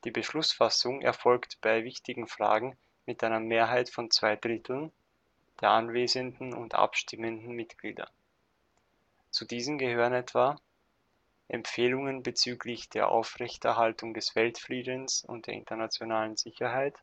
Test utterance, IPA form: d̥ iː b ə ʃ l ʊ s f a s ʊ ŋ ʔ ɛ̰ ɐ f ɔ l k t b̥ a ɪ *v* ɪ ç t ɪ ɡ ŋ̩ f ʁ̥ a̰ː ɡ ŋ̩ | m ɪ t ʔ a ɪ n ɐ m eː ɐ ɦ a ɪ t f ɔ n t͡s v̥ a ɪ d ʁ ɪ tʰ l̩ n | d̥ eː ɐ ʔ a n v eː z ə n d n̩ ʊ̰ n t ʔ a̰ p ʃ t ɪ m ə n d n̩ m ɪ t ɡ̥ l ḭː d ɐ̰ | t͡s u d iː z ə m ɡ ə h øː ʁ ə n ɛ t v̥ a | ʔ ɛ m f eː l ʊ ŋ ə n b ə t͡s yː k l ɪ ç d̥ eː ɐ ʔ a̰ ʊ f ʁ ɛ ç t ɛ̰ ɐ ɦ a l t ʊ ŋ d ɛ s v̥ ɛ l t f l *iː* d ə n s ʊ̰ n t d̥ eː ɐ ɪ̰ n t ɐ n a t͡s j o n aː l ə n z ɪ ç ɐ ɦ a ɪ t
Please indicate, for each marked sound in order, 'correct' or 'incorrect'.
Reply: correct, correct

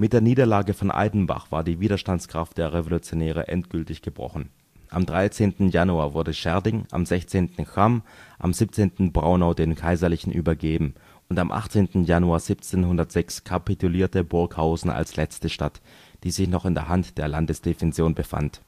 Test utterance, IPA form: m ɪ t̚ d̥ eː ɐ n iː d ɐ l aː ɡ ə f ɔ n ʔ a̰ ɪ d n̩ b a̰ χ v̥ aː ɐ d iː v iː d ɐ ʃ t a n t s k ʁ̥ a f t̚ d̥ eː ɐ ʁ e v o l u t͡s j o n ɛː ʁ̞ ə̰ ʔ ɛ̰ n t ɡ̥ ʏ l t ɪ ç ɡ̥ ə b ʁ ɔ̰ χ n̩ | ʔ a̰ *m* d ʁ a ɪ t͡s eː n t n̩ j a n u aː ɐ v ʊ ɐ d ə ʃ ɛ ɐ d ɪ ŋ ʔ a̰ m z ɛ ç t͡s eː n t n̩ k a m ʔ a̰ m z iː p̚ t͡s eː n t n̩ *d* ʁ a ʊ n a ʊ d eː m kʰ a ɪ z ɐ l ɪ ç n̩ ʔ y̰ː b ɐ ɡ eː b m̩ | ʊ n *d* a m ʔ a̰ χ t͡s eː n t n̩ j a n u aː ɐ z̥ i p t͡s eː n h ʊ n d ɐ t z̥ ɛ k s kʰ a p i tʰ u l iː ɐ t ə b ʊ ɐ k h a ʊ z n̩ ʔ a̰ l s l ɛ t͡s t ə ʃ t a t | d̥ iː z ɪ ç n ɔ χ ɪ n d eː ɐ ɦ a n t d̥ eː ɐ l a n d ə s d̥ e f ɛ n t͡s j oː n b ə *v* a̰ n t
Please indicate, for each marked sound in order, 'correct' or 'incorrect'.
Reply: correct, incorrect: b, incorrect: t, incorrect: f

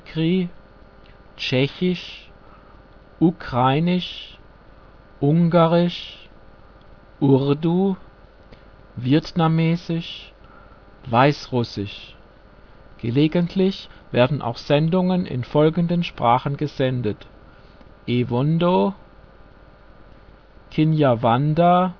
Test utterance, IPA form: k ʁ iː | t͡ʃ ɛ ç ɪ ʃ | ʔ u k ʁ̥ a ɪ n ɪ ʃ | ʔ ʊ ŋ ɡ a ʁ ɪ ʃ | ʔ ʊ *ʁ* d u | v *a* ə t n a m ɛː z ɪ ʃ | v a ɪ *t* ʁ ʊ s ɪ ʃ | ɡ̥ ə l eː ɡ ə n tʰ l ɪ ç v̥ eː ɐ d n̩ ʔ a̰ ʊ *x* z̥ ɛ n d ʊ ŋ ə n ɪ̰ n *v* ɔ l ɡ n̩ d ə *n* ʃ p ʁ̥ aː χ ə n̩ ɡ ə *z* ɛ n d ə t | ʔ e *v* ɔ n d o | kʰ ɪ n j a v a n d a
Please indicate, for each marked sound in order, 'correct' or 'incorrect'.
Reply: correct, incorrect: i, incorrect: s, correct, incorrect: f, correct, correct, correct

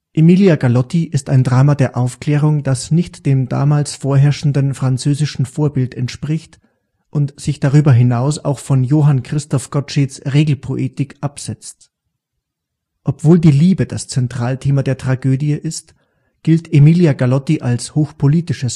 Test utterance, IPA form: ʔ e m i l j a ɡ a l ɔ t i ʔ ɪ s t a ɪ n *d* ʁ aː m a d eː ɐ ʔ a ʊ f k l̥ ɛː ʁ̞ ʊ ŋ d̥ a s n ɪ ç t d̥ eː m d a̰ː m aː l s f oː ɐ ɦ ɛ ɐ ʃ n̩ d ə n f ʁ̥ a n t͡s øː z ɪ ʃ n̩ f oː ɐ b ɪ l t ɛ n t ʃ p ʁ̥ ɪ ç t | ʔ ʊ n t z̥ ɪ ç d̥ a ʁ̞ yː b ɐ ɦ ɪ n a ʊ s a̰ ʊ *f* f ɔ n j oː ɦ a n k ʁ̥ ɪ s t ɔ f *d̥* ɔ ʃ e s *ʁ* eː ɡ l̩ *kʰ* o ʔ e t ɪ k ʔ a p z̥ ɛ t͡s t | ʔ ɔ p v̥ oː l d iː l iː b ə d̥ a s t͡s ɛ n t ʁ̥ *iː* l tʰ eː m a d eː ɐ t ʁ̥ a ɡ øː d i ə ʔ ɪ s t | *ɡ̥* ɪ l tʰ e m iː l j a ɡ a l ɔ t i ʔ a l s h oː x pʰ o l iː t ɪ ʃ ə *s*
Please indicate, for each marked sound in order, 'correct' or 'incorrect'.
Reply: correct, incorrect: x, incorrect: ɡ̥, correct, incorrect: pʰ, incorrect: aː, correct, correct

